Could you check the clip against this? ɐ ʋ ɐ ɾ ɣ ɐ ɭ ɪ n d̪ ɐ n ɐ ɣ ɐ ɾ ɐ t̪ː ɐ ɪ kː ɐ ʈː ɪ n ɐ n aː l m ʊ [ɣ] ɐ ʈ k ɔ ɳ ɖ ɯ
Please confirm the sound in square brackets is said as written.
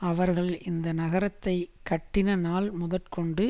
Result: no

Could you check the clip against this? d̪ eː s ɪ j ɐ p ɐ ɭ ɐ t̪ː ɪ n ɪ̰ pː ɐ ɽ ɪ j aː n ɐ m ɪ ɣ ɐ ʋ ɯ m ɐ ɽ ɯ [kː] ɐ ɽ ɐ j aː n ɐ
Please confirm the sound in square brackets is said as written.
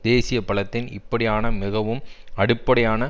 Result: no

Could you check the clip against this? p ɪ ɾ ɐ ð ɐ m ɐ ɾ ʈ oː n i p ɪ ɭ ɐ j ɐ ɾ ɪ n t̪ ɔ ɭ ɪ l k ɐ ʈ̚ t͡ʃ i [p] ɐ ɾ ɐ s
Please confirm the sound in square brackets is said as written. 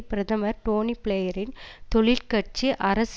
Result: no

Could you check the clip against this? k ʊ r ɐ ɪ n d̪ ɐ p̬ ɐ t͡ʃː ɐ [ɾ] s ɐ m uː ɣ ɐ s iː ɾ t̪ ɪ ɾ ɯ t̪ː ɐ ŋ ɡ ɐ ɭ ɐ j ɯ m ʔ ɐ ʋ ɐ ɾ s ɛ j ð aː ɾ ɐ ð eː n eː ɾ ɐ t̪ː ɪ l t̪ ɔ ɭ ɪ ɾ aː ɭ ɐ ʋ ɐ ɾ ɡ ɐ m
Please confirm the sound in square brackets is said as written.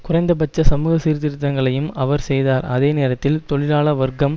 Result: no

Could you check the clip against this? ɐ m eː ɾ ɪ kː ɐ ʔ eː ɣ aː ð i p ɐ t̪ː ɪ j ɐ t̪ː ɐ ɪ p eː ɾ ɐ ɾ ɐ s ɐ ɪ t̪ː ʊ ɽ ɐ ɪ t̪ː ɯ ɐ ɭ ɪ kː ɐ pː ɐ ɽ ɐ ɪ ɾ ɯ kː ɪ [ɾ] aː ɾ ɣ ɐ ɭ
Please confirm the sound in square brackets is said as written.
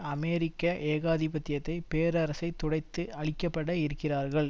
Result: no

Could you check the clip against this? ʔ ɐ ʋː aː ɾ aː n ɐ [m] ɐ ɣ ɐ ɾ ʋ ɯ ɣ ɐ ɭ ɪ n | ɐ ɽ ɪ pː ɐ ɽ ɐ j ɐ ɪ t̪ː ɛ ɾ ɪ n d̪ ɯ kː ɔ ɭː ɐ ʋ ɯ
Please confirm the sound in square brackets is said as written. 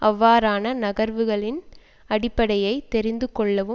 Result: no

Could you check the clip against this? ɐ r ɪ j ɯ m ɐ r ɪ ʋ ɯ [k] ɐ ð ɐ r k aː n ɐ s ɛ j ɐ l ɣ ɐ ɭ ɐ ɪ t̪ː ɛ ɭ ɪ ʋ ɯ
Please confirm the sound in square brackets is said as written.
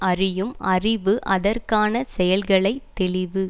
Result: no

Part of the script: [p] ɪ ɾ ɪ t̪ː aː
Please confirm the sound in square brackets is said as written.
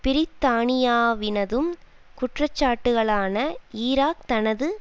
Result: yes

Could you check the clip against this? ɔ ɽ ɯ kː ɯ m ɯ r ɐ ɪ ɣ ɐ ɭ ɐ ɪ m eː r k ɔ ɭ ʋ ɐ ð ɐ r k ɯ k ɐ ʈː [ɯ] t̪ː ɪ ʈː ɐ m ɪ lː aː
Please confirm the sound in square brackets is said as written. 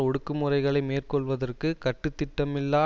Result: yes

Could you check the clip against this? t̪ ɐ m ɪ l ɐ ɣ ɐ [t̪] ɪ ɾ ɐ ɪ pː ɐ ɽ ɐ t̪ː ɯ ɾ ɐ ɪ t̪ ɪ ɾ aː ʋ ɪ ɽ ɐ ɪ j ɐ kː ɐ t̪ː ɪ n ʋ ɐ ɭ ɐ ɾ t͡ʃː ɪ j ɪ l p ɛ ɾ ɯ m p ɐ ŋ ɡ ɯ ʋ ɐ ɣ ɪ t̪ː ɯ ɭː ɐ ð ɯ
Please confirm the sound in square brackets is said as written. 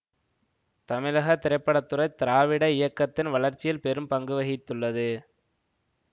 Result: yes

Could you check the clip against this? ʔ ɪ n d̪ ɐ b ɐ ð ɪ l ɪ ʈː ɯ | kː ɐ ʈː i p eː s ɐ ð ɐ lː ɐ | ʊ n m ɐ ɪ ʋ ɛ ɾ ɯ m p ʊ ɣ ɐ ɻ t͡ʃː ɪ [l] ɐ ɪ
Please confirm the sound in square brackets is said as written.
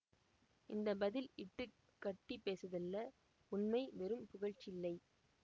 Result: no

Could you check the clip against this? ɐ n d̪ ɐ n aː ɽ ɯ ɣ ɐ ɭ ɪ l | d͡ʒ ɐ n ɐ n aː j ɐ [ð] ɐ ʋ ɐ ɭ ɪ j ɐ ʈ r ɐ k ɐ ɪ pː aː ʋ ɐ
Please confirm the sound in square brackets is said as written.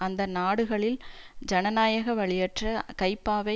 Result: no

